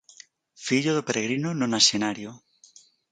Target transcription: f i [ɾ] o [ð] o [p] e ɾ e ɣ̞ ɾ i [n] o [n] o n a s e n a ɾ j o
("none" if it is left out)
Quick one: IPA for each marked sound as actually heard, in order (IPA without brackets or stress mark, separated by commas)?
ʎ, ð, p, n, n